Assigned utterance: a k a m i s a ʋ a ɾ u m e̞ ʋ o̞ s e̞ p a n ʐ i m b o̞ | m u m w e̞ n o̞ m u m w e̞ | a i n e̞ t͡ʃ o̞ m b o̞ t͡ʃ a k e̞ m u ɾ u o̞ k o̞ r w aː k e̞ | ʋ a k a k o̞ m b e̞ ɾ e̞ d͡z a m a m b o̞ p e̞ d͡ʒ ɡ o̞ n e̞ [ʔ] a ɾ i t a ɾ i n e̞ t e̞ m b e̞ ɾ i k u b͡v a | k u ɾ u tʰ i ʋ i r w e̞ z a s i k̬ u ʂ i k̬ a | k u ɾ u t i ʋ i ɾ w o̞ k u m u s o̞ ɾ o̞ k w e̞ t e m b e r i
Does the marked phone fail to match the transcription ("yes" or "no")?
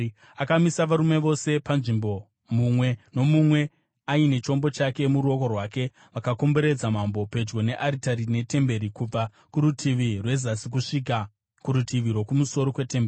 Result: no